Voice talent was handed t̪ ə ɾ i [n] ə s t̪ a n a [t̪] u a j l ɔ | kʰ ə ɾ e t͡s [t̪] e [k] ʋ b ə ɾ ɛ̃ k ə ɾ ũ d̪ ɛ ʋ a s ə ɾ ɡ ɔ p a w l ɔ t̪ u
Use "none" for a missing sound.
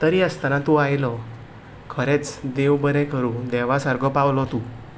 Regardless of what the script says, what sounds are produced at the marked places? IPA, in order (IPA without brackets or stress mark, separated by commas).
none, t̪, d̪, none